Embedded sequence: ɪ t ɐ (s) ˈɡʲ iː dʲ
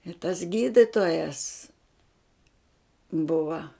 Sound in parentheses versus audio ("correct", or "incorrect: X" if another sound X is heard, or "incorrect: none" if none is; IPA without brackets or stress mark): correct